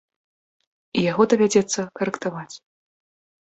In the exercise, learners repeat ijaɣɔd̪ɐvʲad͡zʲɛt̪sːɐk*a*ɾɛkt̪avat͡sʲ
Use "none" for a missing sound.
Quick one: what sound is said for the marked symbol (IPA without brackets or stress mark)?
ɐ